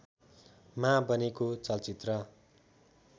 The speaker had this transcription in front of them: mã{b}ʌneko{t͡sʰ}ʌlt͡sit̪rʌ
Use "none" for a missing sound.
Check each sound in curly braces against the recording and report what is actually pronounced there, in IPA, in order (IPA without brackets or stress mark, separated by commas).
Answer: b, t͡s